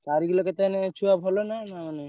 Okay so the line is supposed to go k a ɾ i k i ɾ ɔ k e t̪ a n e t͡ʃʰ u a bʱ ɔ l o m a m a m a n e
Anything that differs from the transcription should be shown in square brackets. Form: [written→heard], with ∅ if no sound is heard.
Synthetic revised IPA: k a ɾ i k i [ɾ→l] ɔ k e t̪ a n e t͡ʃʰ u a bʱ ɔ l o [m→n] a [m→n] a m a n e